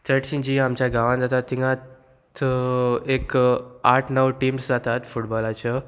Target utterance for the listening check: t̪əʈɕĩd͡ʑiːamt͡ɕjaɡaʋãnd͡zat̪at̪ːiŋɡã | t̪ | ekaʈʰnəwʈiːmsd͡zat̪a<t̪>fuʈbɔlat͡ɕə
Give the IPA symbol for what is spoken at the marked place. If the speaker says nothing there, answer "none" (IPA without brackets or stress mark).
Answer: t̪